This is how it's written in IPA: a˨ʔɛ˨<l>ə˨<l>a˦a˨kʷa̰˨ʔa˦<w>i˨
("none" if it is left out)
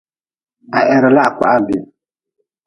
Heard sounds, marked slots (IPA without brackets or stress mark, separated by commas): ɾ, l, b